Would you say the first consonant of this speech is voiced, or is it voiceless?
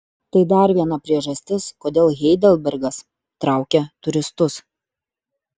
voiceless